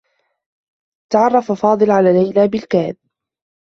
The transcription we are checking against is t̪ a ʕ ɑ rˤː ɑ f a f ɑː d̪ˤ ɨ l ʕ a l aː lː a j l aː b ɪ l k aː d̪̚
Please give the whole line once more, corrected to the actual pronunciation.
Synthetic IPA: t̪ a ʕ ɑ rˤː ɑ f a f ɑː d̪ˤ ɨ l ʕ a l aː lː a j l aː b ɪ l k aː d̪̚